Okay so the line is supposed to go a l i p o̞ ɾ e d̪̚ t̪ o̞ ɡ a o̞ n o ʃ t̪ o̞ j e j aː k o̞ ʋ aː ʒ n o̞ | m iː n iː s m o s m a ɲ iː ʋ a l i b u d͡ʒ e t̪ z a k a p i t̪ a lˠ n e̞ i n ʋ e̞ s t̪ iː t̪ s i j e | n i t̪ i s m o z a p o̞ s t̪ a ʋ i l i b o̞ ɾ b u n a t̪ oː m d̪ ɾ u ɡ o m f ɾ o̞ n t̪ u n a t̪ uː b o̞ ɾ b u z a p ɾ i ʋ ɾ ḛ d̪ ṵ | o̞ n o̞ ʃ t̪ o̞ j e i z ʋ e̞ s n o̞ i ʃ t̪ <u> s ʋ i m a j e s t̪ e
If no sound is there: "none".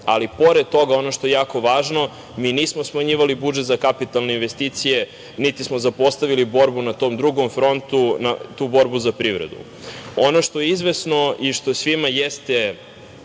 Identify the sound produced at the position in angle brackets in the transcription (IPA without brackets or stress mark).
o